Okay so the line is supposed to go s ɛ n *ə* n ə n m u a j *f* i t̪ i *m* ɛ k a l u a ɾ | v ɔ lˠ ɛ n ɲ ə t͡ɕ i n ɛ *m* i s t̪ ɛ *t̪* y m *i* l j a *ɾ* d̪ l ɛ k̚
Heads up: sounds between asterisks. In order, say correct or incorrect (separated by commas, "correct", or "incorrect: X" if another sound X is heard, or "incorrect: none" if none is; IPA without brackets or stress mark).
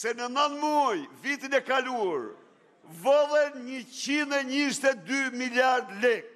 correct, incorrect: v, incorrect: n, incorrect: ɲ, incorrect: d̪, correct, correct